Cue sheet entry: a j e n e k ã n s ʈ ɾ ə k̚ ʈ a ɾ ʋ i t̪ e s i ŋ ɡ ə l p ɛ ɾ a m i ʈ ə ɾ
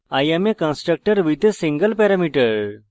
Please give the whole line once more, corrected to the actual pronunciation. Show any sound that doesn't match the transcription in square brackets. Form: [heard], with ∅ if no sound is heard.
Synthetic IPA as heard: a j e [m] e k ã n s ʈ ɾ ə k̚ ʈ [ə] ɾ ʋ i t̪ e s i ŋ ɡ ə l p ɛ ɾ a m i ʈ ə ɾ